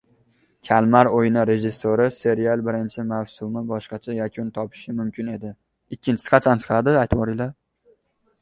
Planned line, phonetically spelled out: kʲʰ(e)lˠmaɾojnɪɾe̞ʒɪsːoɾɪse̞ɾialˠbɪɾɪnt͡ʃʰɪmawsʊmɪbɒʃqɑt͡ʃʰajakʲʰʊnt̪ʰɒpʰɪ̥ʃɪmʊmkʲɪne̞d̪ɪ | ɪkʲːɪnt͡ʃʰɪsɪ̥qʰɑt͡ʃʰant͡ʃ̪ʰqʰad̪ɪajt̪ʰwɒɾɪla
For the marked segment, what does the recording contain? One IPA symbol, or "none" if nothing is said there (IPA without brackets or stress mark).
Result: a